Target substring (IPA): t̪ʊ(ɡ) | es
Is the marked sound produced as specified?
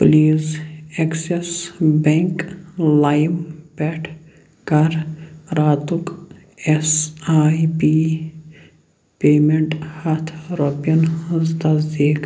no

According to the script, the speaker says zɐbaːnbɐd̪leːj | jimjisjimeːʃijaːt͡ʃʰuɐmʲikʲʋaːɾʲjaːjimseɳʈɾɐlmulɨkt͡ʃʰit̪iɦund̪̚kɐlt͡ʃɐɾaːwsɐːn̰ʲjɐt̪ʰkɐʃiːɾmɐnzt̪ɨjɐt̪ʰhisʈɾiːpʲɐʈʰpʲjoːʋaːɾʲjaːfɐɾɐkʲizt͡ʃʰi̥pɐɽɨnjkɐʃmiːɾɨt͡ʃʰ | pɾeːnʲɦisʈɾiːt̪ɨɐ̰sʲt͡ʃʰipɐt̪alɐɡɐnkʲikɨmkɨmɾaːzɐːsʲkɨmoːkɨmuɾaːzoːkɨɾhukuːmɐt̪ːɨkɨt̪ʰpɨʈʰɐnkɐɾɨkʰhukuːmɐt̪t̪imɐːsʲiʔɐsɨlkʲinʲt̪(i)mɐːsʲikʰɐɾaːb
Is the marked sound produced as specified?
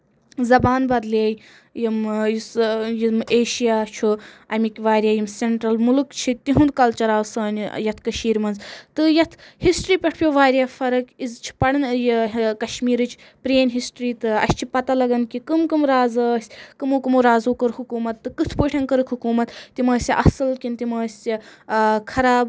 yes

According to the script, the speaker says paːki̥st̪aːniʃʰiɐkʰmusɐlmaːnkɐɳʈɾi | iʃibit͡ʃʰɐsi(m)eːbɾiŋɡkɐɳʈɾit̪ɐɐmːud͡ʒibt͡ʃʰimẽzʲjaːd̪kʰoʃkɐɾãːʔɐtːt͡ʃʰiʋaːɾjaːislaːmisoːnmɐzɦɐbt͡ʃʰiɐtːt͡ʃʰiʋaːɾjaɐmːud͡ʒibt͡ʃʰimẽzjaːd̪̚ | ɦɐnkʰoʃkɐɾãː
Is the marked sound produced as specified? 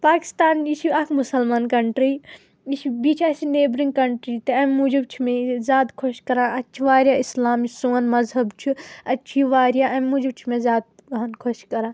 no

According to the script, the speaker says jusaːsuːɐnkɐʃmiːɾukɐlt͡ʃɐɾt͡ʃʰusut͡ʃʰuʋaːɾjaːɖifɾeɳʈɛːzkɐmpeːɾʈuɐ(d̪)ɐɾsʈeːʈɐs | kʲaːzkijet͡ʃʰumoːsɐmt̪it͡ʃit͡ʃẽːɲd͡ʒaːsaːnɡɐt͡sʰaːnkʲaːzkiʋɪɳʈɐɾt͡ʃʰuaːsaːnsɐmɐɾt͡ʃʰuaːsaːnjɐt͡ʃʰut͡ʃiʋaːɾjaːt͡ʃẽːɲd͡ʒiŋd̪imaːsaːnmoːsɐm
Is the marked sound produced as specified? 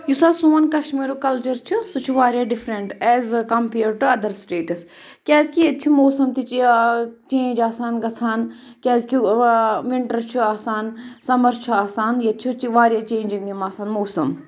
yes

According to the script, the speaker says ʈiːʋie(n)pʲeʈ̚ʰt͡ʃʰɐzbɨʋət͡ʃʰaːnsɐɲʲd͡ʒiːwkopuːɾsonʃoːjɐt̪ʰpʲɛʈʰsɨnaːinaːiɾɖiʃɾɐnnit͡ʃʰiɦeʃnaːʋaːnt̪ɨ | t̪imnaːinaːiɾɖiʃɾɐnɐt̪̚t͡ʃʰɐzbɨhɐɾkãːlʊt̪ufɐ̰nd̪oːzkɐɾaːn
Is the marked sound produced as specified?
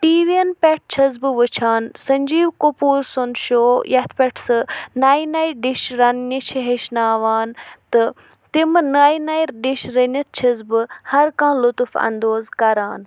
yes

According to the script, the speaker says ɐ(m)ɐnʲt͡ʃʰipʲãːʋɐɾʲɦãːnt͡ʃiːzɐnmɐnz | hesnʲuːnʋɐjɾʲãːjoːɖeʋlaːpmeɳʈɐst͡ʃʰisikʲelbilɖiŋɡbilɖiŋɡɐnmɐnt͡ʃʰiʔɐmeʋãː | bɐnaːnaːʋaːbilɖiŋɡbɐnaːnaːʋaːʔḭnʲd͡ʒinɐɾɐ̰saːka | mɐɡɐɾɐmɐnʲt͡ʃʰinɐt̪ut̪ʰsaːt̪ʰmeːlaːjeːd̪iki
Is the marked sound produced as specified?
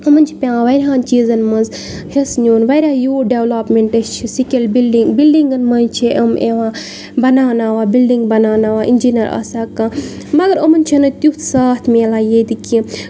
yes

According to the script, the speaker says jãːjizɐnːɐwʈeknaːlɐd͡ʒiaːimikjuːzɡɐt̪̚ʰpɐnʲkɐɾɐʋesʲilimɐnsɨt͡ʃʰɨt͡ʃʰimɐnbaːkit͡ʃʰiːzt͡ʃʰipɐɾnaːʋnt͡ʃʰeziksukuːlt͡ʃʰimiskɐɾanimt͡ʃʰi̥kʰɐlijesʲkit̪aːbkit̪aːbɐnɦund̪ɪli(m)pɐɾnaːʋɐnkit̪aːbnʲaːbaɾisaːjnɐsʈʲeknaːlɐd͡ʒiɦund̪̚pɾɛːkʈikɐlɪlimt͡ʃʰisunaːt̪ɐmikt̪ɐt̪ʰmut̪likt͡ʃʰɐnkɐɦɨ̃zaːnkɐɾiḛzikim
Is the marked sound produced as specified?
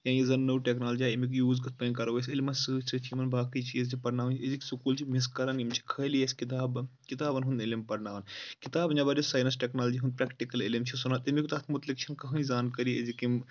yes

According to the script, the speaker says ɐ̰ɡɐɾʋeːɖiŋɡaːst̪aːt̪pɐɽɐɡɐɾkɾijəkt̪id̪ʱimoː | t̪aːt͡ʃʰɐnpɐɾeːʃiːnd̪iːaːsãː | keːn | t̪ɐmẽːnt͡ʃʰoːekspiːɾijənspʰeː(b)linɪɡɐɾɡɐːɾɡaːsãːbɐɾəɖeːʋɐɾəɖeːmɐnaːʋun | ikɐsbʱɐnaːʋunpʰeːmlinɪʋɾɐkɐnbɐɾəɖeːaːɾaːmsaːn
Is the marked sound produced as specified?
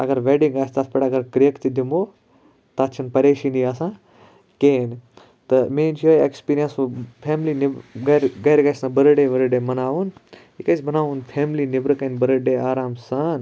no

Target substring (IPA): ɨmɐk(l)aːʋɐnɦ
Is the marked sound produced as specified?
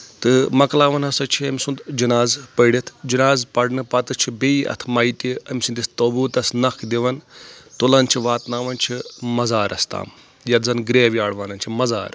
yes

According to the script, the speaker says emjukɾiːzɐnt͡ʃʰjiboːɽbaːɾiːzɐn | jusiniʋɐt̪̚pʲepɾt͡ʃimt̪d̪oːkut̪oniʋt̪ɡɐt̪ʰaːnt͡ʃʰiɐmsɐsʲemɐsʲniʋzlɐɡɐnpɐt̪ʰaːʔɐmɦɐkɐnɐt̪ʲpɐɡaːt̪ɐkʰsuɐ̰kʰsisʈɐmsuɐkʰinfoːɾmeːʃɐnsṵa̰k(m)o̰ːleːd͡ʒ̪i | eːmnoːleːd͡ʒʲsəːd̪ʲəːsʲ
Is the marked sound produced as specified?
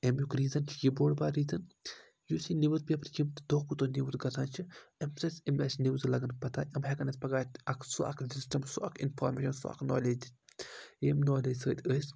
no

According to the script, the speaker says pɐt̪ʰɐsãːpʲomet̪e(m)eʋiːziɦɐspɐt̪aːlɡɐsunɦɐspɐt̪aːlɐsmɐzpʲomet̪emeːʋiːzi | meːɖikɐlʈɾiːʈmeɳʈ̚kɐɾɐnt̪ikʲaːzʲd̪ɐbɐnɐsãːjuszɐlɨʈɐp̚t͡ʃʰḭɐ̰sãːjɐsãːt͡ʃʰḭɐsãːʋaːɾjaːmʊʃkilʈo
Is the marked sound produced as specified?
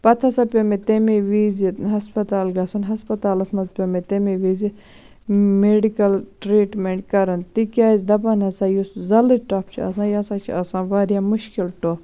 yes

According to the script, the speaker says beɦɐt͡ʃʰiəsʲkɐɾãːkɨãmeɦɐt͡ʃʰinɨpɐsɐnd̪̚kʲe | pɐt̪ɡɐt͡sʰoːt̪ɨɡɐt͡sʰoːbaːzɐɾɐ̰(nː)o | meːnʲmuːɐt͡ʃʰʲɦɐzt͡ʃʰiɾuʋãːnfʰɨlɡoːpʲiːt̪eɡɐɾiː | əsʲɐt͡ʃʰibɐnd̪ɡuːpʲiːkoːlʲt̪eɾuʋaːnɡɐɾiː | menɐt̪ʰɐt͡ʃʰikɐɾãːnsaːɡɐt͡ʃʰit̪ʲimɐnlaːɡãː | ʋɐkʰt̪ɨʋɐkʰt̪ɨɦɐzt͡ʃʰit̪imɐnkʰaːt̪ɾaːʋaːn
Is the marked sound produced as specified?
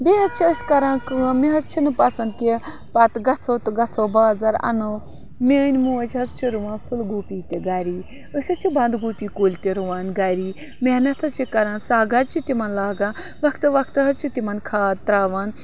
no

